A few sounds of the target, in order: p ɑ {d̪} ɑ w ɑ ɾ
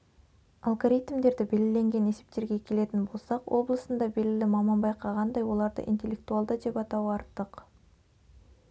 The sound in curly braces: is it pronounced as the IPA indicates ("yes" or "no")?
no